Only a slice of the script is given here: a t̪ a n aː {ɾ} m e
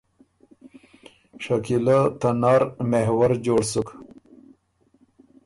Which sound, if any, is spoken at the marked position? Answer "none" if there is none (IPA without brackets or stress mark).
ɾ